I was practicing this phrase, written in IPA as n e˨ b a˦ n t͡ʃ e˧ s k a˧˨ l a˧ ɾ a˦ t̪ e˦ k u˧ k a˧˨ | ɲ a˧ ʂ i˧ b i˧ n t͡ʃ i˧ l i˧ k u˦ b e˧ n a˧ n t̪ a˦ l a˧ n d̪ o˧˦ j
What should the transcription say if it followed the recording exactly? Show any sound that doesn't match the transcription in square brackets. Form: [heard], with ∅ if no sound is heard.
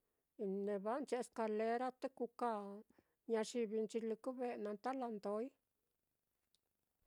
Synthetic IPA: n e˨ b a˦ n t͡ʃ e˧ s k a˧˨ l [e˧] ɾ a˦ t̪ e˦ k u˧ k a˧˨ | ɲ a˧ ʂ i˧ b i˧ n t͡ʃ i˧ l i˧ k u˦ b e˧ n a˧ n t̪ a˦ l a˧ n d̪ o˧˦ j